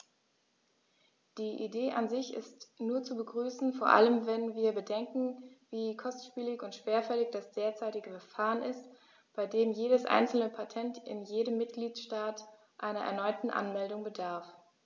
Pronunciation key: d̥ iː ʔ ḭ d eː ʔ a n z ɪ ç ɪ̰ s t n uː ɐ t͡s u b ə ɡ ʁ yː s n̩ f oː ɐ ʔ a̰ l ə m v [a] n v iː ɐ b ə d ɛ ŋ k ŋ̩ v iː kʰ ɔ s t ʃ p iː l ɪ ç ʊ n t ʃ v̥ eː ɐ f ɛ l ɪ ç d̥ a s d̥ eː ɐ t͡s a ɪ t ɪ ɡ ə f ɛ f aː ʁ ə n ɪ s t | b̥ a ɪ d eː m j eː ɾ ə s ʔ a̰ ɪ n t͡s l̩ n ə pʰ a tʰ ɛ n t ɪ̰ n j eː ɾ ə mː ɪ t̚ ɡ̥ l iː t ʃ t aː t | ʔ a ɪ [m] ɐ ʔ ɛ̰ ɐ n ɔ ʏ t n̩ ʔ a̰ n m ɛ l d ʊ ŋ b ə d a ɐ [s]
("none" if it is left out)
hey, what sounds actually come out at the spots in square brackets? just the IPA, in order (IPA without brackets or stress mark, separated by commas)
ɛ, n, f